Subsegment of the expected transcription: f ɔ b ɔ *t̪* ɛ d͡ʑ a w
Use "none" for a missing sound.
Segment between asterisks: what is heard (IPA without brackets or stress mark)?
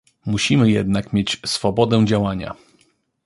d̪